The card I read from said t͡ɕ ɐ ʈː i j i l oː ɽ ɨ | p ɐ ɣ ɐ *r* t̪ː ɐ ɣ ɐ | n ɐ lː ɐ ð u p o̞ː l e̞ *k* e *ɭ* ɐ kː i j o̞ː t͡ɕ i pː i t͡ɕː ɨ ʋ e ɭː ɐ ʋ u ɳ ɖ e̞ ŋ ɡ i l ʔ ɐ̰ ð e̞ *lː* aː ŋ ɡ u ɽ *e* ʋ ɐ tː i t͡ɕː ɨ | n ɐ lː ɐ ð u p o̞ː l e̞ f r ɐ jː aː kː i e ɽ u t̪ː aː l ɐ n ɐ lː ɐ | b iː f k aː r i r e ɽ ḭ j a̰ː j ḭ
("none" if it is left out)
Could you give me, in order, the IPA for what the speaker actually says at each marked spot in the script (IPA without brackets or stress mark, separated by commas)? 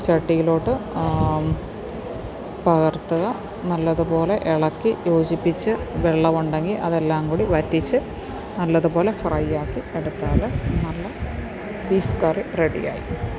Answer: r, ʔ, ɭ, lː, i